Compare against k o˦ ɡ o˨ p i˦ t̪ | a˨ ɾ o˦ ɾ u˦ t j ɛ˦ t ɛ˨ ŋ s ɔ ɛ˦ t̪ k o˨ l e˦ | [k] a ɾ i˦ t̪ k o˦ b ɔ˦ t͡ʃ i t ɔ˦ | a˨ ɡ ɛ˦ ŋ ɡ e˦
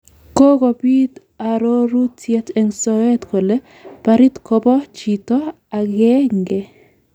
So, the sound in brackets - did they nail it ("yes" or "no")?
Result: no